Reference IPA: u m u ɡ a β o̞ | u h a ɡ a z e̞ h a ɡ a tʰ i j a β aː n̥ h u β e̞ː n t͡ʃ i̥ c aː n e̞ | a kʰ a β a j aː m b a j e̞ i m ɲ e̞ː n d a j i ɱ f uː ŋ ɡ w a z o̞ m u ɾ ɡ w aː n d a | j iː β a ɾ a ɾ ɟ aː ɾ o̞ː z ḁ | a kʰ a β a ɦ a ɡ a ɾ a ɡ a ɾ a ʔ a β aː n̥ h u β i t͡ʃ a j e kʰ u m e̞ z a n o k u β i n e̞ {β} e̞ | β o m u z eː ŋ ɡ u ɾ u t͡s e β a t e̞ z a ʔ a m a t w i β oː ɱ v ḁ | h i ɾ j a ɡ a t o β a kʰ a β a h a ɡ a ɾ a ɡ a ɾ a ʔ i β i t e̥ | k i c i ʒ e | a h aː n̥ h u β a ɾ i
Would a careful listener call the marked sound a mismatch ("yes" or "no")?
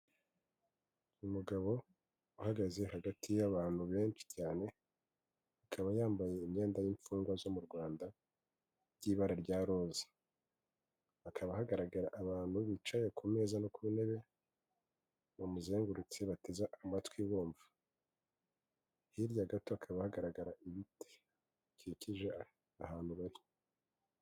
no